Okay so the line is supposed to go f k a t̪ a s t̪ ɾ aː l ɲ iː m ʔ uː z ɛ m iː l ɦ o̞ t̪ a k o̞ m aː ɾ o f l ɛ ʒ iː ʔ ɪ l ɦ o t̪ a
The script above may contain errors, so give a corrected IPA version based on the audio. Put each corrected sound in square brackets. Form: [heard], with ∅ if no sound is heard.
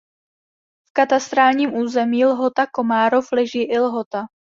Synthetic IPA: f k a t̪ a s t̪ ɾ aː l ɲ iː m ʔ uː z ɛ m iː l ɦ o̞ t̪ a k o̞ m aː ɾ o f l ɛ ʒ iː ʔ ɪ l ɦ o t̪ a